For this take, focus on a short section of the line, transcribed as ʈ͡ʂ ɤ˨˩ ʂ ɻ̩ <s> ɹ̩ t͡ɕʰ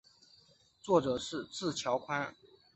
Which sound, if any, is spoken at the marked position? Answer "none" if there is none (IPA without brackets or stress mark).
t͡s